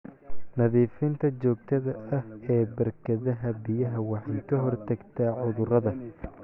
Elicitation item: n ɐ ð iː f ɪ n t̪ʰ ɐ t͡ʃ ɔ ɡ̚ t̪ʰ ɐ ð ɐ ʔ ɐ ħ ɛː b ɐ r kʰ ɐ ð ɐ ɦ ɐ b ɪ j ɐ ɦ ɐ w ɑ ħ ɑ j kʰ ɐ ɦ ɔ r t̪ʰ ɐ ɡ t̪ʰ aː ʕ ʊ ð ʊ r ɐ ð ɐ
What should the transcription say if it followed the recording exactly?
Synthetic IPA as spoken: n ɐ ð iː f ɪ n t̪ʰ ɐ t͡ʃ ɔː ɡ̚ t̪ʰ ɐ ð ɐ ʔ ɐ h ɛː b ɐ r kʰ ɐ ð ɐ ɦ ɐ b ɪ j ɐ ɦ ɐ w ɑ ħ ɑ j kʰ ɐ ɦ ɔ r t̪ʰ ɐ ɡ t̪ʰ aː ʕ ʊ ð ʊ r ɐ ð ɐ